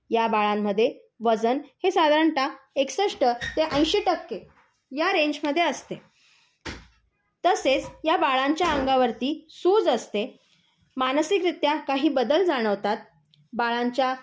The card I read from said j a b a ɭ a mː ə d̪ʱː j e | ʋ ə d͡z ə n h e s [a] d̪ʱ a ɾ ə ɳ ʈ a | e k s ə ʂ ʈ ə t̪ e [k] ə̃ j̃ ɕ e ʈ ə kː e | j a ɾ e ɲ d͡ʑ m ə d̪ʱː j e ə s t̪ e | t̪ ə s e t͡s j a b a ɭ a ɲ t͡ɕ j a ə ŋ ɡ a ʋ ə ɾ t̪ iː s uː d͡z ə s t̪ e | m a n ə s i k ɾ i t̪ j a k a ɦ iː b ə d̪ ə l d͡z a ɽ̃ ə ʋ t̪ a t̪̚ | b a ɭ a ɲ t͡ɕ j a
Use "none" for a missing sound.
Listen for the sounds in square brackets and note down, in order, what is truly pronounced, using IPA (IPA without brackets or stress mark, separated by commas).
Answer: a, ʔ